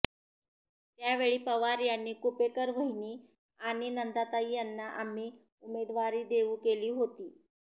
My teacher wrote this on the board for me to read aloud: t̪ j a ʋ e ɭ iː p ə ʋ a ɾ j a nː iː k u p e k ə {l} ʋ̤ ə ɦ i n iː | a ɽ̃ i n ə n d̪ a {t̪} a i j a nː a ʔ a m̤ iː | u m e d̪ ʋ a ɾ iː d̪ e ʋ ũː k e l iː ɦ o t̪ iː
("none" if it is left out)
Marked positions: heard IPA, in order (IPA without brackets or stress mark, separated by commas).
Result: ɾ, t̪